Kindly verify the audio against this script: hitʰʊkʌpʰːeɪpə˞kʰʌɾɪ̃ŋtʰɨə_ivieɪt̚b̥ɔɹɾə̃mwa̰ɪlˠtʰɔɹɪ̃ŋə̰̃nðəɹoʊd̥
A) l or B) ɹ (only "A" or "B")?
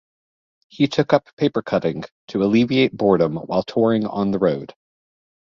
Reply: A